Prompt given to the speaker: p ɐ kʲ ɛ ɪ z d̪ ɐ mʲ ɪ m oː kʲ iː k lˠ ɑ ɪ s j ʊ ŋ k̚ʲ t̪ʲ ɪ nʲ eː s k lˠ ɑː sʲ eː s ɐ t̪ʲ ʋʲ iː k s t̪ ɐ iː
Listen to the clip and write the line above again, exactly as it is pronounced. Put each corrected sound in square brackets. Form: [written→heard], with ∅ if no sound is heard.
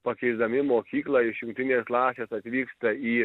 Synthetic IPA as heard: p ɐ kʲ ɛ ɪ z d̪ ɐ mʲ ɪ m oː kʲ iː k lˠ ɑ ɪ [s→ʃ] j ʊ ŋ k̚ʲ t̪ʲ ɪ nʲ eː s k lˠ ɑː sʲ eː s ɐ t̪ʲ ʋʲ iː k s t̪ ɐ iː

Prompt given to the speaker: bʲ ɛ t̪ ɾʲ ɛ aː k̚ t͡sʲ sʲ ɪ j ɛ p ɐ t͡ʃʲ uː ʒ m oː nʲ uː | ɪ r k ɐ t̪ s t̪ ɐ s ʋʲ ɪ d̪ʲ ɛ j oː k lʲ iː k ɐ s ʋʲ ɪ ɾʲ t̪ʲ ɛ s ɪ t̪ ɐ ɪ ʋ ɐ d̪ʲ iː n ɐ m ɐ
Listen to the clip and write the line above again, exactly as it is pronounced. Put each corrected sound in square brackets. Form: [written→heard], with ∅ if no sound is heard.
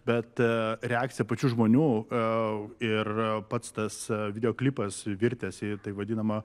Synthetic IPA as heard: bʲ ɛ t̪ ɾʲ ɛ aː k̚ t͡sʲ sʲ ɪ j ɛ p ɐ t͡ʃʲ uː ʒ m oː nʲ uː | ɪ r [k→p] ɐ t̪ s t̪ ɐ s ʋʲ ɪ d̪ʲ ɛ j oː k lʲ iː [k→p] ɐ s ʋʲ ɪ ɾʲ t̪ʲ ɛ s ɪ t̪ ɐ ɪ ʋ ɐ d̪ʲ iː n ɐ m ɐ

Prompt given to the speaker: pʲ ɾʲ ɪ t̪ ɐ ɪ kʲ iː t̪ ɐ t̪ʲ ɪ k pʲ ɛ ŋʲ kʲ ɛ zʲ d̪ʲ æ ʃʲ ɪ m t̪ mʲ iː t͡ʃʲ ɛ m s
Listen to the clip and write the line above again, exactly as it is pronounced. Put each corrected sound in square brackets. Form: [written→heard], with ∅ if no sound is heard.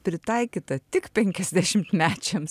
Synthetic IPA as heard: pʲ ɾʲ ɪ t̪ ɐ ɪ kʲ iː t̪ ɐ t̪ʲ ɪ k pʲ ɛ ŋʲ kʲ ɛ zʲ d̪ʲ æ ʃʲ ɪ m t̪ mʲ [iː→æː] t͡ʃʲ ɛ m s

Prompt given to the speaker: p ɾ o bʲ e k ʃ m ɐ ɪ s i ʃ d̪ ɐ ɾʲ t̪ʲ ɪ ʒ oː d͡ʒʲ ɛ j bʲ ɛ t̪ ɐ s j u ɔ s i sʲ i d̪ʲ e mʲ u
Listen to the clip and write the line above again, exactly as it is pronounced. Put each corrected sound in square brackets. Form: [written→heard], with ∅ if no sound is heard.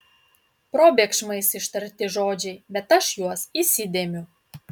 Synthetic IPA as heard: p ɾ o bʲ e k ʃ m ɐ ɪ s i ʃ [d̪→t̪] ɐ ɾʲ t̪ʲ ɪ ʒ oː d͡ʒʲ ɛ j bʲ ɛ t̪ ɐ [s→ʃ] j u ɔ s i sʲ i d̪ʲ e mʲ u

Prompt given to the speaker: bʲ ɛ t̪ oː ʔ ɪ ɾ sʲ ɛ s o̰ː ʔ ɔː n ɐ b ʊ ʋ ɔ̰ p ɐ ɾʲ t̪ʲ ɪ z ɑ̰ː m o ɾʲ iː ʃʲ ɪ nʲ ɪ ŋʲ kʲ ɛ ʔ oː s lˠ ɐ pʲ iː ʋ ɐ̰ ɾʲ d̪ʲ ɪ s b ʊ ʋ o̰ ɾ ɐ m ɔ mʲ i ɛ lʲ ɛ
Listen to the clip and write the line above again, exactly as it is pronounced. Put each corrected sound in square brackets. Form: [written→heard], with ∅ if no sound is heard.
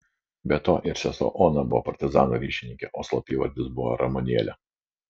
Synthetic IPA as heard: bʲ ɛ t̪ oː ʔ ɪ ɾ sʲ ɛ s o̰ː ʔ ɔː n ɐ b ʊ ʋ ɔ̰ p ɐ ɾʲ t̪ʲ ɪ z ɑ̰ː [m→n] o ɾʲ iː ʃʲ ɪ nʲ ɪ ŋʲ kʲ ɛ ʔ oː s lˠ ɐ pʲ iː ʋ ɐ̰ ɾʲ d̪ʲ ɪ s b ʊ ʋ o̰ ɾ ɐ m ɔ [mʲ→nʲ] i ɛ lʲ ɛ

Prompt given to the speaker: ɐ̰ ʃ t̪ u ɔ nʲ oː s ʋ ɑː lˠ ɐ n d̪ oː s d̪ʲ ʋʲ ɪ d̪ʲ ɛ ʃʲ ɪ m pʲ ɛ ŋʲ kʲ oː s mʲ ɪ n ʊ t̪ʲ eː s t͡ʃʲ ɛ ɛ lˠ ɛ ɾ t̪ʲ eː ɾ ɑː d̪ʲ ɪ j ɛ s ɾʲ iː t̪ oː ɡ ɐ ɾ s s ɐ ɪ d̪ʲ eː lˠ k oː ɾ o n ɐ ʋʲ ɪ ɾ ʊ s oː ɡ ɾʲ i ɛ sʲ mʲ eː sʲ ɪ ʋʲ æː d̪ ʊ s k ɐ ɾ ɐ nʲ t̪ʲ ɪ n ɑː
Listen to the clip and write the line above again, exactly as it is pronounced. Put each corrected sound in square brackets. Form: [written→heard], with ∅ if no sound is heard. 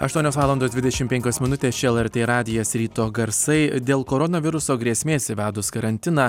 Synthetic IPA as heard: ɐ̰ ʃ t̪ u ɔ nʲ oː s ʋ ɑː lˠ ɐ n d̪ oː s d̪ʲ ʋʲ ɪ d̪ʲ ɛ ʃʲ ɪ m pʲ ɛ ŋʲ kʲ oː s mʲ ɪ n ʊ t̪ʲ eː s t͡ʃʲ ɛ ɛ lˠ ɛ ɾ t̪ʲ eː ɾ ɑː d̪ʲ ɪ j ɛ s ɾʲ iː t̪ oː ɡ ɐ ɾ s s ɐ ɪ d̪ʲ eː lˠ k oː ɾ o n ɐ ʋʲ ɪ ɾ ʊ s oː ɡ ɾʲ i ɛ sʲ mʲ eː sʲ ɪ ʋʲ æː d̪ ʊ s k ɐ ɾ ɐ nʲ t̪ʲ ɪ n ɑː

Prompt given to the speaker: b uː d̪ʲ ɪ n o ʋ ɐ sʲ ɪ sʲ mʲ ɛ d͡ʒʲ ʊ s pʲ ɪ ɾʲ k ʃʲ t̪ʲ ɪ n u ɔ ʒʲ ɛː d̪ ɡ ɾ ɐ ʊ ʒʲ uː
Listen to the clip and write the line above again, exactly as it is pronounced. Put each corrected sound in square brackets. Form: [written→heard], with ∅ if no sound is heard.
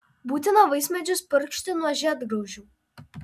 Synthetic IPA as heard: b uː [d̪ʲ→t̪ʲ] ɪ n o ʋ ɐ [sʲ→∅] ɪ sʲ mʲ ɛ d͡ʒʲ ʊ s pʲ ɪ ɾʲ k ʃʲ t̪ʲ ɪ n u ɔ ʒʲ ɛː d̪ ɡ ɾ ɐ ʊ ʒʲ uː

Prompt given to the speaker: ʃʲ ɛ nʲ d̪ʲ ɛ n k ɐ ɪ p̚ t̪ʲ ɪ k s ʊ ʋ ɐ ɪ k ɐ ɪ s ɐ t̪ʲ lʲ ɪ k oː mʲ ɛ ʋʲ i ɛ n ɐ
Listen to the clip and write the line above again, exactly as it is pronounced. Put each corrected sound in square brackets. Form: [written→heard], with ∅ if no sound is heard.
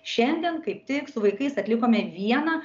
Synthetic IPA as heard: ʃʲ ɛ nʲ d̪ʲ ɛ n k ɐ ɪ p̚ t̪ʲ ɪ k s ʊ ʋ ɐ ɪ k ɐ ɪ s ɐ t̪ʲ lʲ ɪ k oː mʲ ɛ ʋʲ i ɛ n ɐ

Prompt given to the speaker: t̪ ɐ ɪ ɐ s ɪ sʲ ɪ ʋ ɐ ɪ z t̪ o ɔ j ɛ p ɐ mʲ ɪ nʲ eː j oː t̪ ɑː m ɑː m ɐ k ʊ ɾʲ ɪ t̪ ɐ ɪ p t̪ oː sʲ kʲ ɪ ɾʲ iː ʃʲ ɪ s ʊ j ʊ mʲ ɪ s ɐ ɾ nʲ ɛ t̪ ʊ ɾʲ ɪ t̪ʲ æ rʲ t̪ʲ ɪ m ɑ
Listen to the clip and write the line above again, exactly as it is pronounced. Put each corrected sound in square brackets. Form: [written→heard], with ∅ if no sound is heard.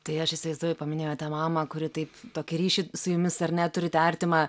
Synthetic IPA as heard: t̪ ɐ ɪ ɐ [s→ʃ] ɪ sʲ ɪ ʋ ɐ ɪ z [t̪→d̪] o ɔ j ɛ p ɐ mʲ ɪ nʲ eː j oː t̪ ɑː m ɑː m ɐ k ʊ ɾʲ ɪ t̪ ɐ ɪ p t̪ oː [sʲ→∅] kʲ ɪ ɾʲ iː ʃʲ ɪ s ʊ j ʊ mʲ ɪ s ɐ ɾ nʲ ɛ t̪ ʊ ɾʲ ɪ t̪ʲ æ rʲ t̪ʲ ɪ m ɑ

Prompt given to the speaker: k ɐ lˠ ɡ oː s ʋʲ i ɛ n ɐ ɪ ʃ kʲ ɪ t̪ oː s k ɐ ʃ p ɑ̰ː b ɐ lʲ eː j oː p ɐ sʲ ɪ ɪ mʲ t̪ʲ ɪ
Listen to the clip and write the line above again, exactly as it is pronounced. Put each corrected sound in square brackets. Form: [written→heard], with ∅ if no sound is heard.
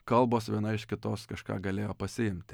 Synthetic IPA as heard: k ɐ lˠ [ɡ→b] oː s ʋʲ i ɛ n ɐ ɪ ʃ kʲ ɪ t̪ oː s k ɐ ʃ [p→k] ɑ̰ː [b→ɡ] ɐ lʲ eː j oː p ɐ sʲ ɪ ɪ mʲ t̪ʲ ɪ

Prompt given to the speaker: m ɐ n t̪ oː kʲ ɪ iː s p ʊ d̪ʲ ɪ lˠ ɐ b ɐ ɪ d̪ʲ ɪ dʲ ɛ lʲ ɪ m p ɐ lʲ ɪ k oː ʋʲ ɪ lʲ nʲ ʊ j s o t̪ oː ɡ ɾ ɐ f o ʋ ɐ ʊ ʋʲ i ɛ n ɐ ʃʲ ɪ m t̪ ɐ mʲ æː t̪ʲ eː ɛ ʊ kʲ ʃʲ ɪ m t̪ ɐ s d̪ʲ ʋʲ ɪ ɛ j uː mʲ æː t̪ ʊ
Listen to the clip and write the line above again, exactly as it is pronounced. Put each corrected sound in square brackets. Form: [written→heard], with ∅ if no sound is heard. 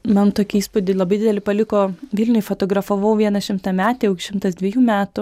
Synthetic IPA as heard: m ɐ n t̪ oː kʲ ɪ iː s p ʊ d̪ʲ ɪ lˠ ɐ b ɐ ɪ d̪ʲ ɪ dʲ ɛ lʲ ɪ [m→∅] p ɐ lʲ ɪ k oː ʋʲ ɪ lʲ nʲ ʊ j [s→f] o t̪ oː ɡ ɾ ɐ f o ʋ ɐ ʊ ʋʲ i ɛ n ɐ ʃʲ ɪ m t̪ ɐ mʲ æː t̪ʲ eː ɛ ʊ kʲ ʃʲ ɪ m t̪ ɐ s d̪ʲ ʋʲ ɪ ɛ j uː mʲ æː t̪ ʊ

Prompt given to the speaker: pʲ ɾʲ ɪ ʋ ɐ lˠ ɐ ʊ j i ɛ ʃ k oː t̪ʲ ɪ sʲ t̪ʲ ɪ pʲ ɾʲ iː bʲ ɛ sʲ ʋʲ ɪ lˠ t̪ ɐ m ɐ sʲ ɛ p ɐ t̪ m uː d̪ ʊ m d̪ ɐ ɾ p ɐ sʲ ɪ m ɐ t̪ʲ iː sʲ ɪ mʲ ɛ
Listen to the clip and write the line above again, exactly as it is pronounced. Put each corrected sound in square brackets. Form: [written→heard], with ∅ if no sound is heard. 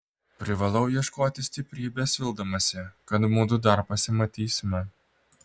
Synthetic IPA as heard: pʲ ɾʲ ɪ ʋ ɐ lˠ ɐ ʊ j i ɛ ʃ k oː t̪ʲ ɪ sʲ t̪ʲ ɪ pʲ ɾʲ iː bʲ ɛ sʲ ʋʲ ɪ lˠ [t̪→d̪] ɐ m ɐ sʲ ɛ [p→k] ɐ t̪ m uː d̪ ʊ [m→∅] d̪ ɐ ɾ p ɐ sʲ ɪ m ɐ t̪ʲ iː sʲ ɪ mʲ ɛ

